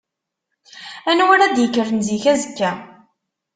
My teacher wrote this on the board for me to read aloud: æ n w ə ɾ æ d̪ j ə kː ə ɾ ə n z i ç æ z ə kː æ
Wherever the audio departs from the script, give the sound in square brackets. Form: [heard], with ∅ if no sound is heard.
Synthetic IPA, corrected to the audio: æ n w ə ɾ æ d̪ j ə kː ə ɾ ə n z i ç æ z ə kː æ